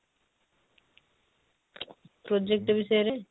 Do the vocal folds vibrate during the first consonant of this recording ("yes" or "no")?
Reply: no